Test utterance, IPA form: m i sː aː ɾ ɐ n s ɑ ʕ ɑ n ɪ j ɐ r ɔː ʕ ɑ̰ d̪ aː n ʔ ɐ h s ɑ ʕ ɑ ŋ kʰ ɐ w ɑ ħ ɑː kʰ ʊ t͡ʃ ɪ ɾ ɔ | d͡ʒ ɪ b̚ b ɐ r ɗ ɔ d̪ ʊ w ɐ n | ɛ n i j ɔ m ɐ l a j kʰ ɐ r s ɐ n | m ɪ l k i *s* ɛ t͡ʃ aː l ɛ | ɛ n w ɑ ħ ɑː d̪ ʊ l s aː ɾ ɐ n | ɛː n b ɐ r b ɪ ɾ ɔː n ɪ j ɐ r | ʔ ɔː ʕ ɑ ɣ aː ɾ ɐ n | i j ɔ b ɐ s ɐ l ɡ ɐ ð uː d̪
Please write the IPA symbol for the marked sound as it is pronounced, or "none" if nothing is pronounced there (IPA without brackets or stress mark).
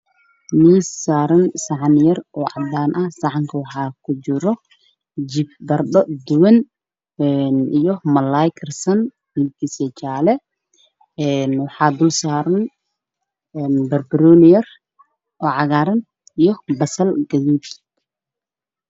s